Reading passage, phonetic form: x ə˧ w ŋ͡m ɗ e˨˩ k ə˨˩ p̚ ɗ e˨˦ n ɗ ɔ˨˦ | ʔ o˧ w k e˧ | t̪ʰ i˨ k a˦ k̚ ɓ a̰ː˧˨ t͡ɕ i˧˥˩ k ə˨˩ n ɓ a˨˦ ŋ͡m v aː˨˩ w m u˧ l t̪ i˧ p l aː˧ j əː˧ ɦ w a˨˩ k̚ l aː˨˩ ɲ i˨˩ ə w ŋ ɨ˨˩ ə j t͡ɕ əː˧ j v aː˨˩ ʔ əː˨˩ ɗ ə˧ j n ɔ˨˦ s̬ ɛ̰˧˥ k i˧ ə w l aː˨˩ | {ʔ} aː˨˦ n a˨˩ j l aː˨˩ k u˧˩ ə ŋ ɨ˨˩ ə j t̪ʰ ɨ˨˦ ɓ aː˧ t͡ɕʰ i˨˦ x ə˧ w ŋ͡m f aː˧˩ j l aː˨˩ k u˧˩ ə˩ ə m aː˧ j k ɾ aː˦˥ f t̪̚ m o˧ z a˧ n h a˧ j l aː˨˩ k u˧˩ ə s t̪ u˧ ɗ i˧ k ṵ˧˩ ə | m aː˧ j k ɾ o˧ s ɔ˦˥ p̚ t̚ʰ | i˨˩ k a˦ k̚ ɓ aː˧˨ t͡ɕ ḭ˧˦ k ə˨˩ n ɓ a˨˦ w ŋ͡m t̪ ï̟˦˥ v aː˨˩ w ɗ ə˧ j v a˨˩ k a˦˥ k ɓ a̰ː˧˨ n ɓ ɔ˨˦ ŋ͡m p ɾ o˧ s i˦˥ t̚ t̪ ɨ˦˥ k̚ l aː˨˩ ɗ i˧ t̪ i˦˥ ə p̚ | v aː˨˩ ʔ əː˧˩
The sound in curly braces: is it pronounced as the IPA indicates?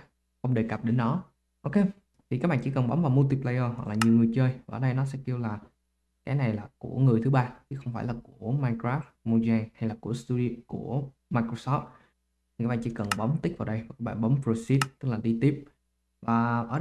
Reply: no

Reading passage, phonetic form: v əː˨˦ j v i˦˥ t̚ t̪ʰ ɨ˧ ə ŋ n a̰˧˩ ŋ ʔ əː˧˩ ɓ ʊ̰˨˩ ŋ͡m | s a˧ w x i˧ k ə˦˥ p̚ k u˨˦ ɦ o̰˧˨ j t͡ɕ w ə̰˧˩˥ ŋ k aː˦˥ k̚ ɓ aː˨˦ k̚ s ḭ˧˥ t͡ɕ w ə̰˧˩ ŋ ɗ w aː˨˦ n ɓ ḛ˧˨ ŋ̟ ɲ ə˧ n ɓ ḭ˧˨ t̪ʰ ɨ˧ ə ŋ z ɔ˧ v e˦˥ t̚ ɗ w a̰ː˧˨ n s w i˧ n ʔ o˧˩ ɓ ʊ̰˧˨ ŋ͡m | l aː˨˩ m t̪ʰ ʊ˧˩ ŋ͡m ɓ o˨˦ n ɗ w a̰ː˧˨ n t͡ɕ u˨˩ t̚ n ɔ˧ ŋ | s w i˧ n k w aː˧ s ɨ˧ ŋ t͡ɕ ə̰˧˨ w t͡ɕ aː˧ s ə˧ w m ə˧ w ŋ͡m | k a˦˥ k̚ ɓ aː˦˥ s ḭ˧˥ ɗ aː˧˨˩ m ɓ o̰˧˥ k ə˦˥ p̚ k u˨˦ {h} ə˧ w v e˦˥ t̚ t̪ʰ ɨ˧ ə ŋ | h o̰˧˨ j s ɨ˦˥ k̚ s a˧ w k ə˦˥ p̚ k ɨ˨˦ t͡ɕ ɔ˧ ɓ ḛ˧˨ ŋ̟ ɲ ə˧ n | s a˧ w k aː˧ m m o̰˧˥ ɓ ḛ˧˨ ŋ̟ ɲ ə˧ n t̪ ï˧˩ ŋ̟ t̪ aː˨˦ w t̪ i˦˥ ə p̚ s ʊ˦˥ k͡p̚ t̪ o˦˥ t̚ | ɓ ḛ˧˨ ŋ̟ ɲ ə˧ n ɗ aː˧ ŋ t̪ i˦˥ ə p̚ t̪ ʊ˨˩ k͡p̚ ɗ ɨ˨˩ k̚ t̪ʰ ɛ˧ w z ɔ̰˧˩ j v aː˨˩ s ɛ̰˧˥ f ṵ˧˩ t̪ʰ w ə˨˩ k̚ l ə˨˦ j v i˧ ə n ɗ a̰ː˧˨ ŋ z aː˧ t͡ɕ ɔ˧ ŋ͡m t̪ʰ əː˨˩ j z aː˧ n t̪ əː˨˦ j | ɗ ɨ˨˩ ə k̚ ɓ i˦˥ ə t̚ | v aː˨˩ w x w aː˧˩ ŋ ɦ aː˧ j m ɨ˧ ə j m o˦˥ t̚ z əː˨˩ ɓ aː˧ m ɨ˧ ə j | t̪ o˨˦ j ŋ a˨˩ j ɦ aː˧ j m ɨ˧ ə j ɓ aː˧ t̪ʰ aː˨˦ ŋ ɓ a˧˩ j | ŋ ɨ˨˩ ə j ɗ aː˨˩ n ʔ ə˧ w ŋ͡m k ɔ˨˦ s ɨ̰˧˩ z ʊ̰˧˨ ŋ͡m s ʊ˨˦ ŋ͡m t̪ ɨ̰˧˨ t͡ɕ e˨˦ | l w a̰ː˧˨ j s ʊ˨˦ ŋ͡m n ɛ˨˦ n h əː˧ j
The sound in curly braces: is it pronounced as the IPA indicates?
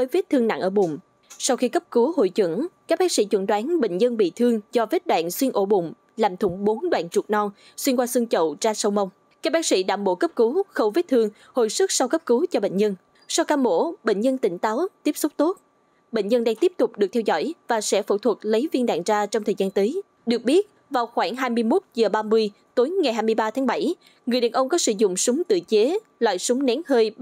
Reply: no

